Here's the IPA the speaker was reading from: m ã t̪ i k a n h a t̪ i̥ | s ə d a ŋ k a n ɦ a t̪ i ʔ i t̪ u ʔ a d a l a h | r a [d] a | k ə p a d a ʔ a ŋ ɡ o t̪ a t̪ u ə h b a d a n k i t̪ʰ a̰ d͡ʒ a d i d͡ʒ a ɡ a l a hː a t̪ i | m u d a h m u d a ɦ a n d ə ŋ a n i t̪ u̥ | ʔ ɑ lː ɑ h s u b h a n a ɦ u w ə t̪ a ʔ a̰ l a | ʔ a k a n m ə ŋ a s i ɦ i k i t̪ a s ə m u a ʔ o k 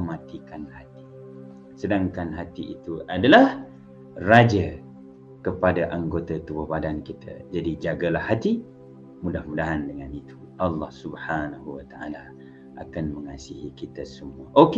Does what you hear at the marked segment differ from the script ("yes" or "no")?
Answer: yes